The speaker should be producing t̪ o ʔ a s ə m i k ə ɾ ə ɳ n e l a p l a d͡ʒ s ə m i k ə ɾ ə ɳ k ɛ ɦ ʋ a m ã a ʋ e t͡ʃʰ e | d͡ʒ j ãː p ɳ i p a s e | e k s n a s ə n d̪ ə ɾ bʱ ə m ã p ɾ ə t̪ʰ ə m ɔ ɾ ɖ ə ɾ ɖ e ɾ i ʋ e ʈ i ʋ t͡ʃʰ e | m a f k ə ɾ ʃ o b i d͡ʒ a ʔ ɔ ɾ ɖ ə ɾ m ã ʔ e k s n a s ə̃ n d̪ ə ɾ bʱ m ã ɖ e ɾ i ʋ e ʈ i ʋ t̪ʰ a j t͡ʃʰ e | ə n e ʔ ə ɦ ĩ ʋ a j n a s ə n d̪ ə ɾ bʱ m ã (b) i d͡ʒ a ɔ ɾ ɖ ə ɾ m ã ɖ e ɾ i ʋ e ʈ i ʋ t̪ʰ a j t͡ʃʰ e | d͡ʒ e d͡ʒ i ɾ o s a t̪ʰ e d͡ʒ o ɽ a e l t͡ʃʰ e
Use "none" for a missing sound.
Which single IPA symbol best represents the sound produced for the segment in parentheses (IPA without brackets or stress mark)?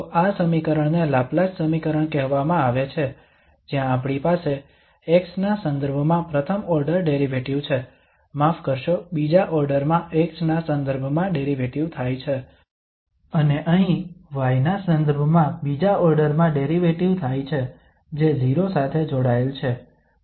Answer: b